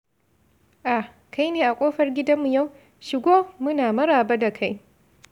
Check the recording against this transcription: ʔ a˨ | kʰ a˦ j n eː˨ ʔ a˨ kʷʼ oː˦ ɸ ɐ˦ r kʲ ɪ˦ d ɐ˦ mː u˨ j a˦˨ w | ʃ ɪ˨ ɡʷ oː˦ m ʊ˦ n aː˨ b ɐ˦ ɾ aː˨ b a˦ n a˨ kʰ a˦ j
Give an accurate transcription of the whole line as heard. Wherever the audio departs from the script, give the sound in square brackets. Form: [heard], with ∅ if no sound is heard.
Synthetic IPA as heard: ʔ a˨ | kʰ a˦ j n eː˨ ʔ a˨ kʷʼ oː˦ ɸ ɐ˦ r [ɡʲ] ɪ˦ d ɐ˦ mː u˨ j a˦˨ w | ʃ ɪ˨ ɡʷ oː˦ m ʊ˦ n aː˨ [m] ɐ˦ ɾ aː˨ b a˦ [d] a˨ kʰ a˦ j